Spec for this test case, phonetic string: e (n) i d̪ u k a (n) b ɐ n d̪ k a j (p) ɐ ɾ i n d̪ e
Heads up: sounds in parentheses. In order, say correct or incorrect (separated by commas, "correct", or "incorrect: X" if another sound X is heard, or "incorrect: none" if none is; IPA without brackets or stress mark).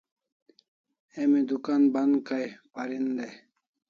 incorrect: m, correct, correct